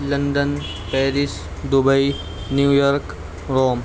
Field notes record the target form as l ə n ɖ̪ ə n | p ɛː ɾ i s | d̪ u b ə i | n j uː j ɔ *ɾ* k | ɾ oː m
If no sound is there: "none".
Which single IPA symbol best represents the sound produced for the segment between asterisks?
ɾ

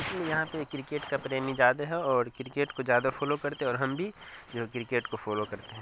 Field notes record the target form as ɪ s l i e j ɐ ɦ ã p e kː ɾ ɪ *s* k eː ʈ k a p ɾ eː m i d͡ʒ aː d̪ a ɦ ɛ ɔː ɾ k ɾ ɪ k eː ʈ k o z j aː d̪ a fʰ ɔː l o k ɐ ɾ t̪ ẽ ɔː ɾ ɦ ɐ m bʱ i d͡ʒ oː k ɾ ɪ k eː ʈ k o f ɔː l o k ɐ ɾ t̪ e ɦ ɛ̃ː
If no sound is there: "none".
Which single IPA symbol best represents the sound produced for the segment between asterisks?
none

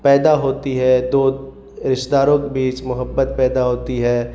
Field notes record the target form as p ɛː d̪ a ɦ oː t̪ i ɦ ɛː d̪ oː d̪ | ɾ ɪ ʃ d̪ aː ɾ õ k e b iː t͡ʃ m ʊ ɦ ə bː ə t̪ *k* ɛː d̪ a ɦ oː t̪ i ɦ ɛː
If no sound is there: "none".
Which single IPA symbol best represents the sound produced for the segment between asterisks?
p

